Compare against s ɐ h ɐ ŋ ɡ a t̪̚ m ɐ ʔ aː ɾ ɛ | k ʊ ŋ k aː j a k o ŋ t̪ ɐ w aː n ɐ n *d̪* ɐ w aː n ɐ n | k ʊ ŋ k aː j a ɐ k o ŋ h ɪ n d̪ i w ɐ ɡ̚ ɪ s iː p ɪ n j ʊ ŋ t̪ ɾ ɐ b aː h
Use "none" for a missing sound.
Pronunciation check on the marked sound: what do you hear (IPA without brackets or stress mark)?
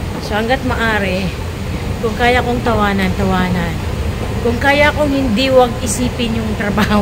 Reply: t̪